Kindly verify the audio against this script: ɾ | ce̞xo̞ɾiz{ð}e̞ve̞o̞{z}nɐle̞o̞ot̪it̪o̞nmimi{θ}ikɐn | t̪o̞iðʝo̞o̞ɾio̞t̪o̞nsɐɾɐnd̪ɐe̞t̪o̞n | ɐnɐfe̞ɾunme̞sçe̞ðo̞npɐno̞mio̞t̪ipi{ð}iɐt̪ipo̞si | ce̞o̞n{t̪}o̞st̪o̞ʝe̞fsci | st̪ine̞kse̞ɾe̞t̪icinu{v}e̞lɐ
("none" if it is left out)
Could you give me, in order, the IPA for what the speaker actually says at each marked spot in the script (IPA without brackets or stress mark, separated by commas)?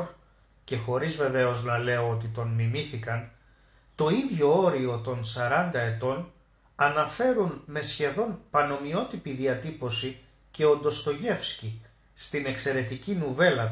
v, z, θ, ð, d̪, v